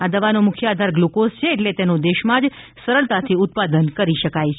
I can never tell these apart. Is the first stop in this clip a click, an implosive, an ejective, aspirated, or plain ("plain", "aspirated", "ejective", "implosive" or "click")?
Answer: plain